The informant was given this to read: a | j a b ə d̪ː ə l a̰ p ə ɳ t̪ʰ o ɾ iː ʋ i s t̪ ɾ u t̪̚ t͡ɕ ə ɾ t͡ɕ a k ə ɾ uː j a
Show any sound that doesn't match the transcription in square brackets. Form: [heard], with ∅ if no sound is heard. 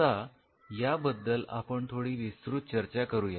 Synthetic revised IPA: a | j a b ə d̪ː ə l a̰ p ə ɳ t̪ʰ o [ɽ] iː ʋ i s t̪ ɾ u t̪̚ t͡ɕ ə ɾ t͡ɕ a k ə ɾ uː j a